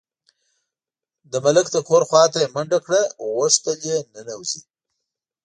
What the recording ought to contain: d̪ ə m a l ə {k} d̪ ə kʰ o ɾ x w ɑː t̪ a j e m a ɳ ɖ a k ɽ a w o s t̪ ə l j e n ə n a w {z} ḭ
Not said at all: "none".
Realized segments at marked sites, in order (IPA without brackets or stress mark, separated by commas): k, z